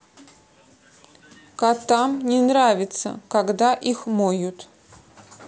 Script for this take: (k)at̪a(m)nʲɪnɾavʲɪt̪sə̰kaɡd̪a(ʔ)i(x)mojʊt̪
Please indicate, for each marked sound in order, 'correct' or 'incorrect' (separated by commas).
correct, correct, correct, correct